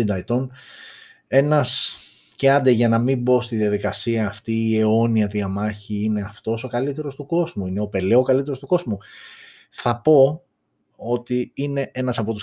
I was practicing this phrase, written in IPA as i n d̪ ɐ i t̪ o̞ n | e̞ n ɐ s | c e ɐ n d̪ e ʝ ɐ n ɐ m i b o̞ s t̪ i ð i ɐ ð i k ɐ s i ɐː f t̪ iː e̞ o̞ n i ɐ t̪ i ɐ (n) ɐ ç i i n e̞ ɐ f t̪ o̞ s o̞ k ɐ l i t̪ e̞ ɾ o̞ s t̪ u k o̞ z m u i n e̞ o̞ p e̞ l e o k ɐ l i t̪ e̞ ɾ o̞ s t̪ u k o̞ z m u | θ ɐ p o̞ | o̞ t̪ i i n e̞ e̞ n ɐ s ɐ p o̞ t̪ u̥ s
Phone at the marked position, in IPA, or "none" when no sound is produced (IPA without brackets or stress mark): m